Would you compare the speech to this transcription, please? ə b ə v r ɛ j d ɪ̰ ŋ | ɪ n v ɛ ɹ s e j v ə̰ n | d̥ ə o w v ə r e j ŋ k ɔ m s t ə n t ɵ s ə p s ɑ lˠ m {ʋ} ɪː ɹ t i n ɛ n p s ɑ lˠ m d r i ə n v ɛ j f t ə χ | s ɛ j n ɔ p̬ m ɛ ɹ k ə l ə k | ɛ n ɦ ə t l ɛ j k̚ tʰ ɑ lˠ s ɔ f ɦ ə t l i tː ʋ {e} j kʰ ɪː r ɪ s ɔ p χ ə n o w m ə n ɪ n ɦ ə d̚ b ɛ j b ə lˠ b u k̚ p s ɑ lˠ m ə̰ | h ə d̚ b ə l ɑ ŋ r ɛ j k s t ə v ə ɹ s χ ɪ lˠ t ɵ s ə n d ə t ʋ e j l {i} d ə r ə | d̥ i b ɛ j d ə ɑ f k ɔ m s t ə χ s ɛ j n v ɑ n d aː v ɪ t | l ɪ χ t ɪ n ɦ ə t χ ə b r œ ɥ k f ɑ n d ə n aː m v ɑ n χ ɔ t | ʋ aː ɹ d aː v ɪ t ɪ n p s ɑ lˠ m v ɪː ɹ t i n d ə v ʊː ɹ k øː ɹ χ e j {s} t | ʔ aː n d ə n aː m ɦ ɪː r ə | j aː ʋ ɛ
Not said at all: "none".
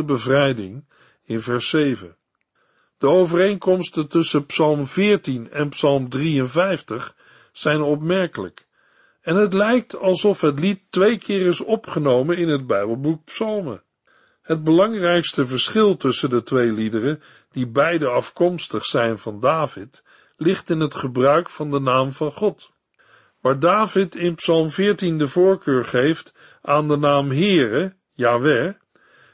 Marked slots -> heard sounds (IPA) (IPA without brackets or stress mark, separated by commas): v, e, i, f